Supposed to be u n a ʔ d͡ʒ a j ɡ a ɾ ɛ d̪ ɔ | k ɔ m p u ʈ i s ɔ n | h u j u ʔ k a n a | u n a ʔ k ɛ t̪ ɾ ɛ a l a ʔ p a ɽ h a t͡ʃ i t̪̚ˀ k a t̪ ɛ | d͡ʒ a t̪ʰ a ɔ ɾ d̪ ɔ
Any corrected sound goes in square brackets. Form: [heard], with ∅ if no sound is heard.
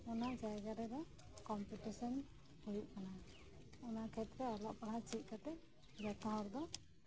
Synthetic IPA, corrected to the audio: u n a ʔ d͡ʒ a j ɡ a ɾ ɛ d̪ ɔ | k ɔ m p u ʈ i s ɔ n | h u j u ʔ k a n a | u n a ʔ [kʰ] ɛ t̪ ɾ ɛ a l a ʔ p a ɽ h a t͡ʃ i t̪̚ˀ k a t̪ ɛ | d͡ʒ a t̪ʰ a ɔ ɾ d̪ ɔ